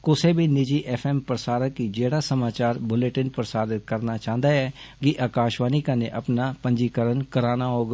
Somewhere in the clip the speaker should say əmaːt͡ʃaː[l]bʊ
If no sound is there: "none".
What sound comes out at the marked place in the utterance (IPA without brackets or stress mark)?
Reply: ɾ